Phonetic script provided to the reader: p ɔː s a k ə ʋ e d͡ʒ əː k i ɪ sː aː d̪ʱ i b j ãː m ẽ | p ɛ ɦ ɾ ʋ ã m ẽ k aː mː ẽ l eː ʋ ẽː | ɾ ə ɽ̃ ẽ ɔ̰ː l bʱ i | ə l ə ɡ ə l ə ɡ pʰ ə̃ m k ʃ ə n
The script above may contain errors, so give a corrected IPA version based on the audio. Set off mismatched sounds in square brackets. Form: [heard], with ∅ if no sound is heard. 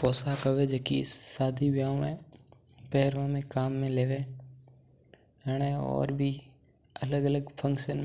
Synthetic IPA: p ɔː s a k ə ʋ e d͡ʒ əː k i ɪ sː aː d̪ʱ i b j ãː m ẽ | p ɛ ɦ ɾ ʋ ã m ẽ k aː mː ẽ l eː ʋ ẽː | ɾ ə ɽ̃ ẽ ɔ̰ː [ɾ] bʱ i | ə l ə ɡ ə l ə ɡ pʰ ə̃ [ŋ] k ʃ ə n